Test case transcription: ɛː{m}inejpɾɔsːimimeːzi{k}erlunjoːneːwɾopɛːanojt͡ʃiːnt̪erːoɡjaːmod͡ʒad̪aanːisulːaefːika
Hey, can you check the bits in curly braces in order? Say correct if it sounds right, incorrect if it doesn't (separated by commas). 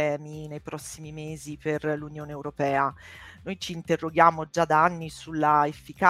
correct, incorrect